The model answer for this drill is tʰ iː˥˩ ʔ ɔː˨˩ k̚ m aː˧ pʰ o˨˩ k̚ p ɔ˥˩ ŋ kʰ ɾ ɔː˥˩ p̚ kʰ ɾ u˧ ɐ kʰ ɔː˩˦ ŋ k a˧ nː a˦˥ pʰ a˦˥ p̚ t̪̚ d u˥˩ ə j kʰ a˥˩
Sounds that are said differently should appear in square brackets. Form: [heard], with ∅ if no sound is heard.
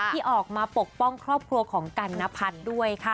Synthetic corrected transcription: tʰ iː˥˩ ʔ ɔː˨˩ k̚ m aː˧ [p] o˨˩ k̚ p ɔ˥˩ ŋ kʰ ɾ ɔː˥˩ p̚ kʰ ɾ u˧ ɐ kʰ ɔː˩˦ ŋ k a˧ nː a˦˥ pʰ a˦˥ [∅] t̪̚ d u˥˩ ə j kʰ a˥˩